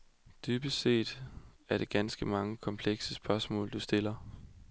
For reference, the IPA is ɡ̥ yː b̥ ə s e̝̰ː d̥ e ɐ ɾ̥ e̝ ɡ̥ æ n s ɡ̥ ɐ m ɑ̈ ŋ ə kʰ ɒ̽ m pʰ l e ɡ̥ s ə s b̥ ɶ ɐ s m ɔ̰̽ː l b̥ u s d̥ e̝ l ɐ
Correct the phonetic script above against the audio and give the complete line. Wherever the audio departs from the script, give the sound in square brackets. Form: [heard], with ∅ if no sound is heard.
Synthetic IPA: [d̥] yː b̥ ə s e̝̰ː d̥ [æ] ɐ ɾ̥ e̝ ɡ̥ æ n s ɡ̥ [ə] m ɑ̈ ŋ ə kʰ ɒ̽ m pʰ l e ɡ̥ s ə s b̥ ɶ ɐ s m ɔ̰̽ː l [d̥] u s d̥ e̝ l ɐ